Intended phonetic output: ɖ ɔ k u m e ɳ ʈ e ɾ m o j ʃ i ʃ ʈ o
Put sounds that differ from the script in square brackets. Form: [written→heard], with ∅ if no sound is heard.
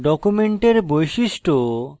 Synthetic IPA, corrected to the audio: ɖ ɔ k u m e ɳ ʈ e ɾ [m→b] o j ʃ i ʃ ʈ o